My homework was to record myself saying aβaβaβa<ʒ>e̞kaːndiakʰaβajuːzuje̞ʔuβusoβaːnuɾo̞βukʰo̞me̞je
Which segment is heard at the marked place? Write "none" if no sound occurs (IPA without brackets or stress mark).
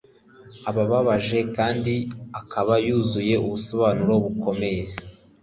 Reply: ʒ